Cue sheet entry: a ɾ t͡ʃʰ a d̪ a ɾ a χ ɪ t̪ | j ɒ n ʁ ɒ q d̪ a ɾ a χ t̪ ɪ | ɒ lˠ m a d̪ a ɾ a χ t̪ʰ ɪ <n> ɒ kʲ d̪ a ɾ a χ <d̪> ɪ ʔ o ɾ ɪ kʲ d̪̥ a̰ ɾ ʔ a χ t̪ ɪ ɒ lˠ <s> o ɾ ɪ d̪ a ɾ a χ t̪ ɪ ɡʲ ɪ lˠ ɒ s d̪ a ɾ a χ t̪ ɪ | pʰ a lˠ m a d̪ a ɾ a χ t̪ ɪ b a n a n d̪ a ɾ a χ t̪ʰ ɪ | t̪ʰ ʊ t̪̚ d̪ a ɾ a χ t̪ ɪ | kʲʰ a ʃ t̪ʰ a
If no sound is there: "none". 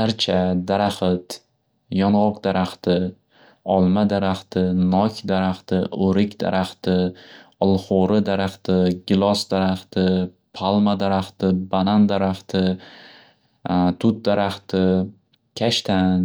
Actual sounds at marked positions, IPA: n, t̪, χ

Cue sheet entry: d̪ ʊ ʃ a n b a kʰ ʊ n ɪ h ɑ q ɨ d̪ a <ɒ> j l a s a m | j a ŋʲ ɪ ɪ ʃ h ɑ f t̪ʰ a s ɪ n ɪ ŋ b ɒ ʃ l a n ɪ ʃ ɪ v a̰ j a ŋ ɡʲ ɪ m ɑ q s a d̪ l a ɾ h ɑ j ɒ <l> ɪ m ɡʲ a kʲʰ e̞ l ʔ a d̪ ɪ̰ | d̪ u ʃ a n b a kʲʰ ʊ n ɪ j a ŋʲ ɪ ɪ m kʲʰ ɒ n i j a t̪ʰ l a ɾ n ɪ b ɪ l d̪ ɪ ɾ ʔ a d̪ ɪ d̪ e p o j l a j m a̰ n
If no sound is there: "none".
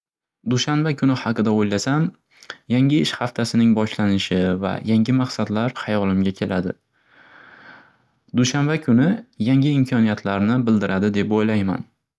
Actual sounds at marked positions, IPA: o, l

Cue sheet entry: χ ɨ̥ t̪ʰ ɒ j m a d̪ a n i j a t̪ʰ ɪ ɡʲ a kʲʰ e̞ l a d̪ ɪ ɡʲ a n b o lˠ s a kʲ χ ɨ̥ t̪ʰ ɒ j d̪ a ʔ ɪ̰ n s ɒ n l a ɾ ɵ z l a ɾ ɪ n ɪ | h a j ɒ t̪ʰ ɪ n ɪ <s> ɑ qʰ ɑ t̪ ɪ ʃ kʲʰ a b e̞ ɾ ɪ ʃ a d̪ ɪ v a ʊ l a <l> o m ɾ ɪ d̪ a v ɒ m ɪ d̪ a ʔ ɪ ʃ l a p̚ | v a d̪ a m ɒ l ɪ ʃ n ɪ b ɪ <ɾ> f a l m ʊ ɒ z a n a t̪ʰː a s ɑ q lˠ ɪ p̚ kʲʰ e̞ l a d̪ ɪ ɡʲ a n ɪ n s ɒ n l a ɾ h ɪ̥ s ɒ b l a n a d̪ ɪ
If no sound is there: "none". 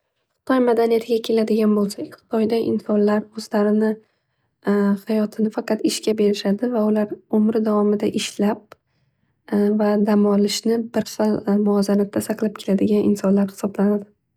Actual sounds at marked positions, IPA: f, ɾ, ɾ

